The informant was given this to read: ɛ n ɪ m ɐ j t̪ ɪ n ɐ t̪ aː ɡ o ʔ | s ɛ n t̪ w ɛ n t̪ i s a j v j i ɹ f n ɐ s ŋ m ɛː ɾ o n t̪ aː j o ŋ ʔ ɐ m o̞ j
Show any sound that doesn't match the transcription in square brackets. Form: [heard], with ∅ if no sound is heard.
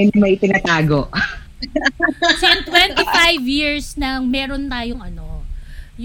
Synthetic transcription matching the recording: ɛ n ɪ m ɐ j t̪ ɪ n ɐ t̪ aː ɡ o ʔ | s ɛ n t̪ w ɛ n t̪ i [f] a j v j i ɹ [s] n ɐ [∅] ŋ m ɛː ɾ o n t̪ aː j o ŋ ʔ ɐ [n] o̞ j